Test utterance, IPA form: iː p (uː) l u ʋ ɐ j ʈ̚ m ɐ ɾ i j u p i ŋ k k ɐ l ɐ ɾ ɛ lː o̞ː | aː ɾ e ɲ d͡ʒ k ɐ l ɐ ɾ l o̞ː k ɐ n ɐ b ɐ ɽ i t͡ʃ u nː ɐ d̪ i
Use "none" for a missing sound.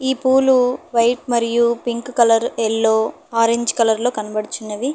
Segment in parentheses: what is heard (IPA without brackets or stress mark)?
uː